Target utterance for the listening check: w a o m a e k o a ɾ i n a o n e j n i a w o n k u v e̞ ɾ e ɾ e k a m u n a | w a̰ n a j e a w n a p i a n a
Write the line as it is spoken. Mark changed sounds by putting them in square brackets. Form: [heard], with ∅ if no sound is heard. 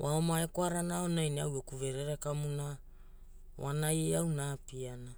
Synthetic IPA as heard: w a o m a e k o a ɾ [a] n a o n [a] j n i a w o [∅] k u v e̞ ɾ e ɾ e k a m u n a | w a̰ n a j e a w n a p i a n a